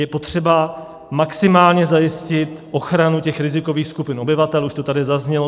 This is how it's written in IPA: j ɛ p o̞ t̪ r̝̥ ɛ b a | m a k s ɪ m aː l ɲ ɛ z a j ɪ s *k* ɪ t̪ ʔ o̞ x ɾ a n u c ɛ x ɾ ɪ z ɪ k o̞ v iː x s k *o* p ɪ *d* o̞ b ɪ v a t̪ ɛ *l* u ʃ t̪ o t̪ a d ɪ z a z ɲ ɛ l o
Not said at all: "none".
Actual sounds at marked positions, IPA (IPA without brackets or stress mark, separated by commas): c, u, n, l